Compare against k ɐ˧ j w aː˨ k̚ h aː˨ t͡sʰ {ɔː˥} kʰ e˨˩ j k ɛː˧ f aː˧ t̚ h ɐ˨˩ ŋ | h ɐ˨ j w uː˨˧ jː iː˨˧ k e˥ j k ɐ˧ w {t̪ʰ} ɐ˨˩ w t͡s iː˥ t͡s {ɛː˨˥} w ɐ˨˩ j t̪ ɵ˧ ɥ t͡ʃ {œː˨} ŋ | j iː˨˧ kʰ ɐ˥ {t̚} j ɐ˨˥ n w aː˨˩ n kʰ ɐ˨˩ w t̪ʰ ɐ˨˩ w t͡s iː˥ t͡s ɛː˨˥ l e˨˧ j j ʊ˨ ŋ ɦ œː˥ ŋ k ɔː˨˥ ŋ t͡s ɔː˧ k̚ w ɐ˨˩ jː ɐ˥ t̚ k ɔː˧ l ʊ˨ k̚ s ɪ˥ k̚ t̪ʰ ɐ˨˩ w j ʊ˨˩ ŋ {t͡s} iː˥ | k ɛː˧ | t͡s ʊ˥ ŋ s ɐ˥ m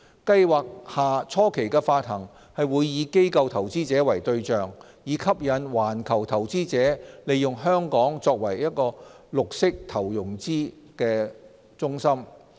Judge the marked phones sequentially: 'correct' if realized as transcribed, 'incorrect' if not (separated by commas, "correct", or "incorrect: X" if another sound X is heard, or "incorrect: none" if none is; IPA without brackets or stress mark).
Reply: correct, correct, correct, correct, incorrect: p̚, correct